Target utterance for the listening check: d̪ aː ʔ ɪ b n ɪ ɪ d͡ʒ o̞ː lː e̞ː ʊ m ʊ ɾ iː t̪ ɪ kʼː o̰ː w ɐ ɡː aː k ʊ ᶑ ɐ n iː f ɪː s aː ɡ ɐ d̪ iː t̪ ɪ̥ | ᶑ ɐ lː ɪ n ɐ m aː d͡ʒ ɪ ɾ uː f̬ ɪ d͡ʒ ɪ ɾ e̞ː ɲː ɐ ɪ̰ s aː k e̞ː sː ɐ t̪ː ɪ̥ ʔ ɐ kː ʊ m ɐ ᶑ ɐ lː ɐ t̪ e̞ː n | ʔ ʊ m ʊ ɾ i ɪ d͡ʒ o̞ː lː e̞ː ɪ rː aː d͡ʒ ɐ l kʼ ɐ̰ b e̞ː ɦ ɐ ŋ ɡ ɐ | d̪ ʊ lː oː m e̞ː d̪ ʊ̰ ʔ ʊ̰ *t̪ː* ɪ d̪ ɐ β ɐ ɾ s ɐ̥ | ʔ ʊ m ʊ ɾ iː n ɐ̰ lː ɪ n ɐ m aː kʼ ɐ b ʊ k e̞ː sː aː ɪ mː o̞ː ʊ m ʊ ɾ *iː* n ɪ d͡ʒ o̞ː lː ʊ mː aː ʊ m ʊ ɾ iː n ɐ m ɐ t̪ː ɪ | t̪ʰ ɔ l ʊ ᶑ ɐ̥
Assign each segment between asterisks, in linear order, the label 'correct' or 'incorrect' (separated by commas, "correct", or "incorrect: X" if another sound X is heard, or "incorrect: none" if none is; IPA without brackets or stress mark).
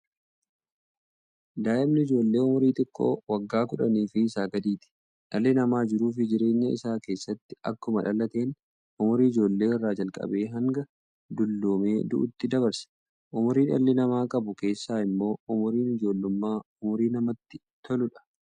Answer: correct, correct